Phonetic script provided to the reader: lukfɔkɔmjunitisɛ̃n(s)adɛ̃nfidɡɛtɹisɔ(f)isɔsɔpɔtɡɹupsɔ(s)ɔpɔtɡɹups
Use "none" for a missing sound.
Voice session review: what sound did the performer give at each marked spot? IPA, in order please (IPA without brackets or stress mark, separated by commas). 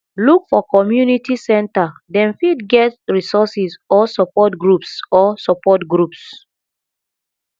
t, s, s